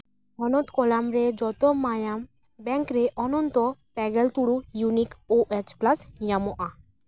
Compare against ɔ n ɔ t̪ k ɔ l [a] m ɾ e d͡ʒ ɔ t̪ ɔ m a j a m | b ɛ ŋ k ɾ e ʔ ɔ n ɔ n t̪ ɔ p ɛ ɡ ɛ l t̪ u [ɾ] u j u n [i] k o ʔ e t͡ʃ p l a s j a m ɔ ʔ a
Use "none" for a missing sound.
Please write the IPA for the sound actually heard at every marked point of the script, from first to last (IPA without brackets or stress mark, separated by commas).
a, ɽ, i